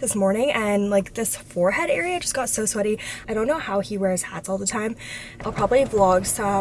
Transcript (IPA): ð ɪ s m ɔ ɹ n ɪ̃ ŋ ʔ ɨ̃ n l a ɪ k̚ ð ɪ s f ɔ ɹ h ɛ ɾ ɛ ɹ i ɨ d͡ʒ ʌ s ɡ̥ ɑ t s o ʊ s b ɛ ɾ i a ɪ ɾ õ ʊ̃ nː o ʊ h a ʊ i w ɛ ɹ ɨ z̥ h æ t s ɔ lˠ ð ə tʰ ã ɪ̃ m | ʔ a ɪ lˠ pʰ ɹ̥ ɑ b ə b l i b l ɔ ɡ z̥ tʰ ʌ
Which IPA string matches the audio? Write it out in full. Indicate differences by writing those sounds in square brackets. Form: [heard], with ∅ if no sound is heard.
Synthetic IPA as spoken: ð ɪ s m ɔ ɹ n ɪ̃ ŋ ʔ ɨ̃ n l a ɪ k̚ ð ɪ s f ɔ ɹ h ɛ ɾ ɛ ɹ i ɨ d͡ʒ ʌ s ɡ̥ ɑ t s o ʊ s [w] ɛ ɾ i a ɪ ɾ õ ʊ̃ nː o ʊ h a ʊ i w ɛ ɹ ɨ z̥ h æ t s ɔ lˠ ð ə tʰ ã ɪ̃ m | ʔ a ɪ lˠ pʰ ɹ̥ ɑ b ə b l i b l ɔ ɡ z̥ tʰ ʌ